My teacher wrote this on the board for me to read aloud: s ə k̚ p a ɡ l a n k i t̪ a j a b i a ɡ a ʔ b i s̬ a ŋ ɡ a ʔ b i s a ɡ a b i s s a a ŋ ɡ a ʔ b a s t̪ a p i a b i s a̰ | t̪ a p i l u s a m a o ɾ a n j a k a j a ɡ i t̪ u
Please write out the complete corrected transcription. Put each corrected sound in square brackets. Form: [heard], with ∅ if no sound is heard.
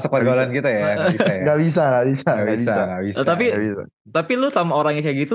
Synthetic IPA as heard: s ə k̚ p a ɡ l a n k i t̪ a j a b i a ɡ a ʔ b i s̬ a ŋ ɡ a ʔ b i s a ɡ a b i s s a a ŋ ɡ a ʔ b [i] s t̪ a p i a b i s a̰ | t̪ a p i l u s a m a o ɾ a [ŋ] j a k a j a ɡ i t̪ u